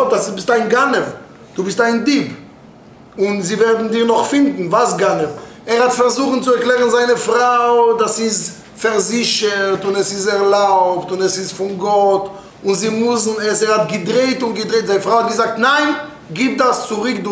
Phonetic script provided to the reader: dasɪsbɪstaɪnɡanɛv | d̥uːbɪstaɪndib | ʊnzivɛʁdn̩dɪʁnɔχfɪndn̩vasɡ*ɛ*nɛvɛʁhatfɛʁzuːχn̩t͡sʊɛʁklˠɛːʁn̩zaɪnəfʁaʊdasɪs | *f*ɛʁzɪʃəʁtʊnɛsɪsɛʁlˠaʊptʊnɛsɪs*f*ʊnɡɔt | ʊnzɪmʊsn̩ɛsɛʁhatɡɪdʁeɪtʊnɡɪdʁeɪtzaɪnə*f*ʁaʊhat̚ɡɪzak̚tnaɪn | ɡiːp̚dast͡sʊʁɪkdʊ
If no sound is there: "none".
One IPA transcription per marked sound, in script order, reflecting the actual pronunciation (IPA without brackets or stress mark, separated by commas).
a, f, f, f